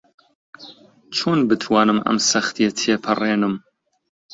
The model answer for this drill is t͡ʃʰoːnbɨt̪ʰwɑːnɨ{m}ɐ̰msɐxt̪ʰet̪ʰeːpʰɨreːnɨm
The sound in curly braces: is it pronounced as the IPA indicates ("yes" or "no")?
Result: yes